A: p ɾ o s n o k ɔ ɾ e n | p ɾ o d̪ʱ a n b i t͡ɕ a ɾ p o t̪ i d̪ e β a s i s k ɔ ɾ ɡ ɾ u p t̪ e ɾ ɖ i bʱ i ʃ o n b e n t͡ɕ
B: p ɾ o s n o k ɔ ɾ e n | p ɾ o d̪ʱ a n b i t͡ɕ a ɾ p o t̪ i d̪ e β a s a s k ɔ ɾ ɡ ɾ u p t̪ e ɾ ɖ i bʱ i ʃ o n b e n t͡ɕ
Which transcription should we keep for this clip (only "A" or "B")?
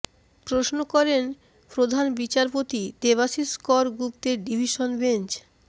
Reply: A